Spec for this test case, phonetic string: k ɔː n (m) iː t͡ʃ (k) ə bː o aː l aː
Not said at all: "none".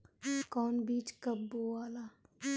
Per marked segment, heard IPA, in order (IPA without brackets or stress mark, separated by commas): b, k